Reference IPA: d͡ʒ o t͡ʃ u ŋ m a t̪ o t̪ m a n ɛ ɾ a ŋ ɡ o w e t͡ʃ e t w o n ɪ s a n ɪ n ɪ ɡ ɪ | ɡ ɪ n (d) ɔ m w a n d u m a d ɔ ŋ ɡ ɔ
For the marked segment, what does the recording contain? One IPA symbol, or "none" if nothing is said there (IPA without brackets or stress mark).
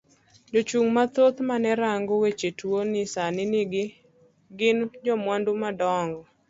d͡ʒ